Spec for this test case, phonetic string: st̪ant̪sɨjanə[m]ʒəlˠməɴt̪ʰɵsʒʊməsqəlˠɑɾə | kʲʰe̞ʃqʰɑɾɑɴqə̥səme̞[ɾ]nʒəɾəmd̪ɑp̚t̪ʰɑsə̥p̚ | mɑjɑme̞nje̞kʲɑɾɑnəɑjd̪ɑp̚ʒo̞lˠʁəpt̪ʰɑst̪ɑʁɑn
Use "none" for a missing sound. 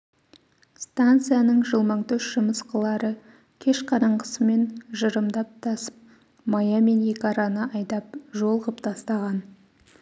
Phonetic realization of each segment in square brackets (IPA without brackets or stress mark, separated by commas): ɴ, none